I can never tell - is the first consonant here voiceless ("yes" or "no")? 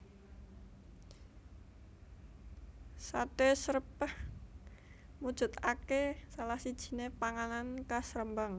yes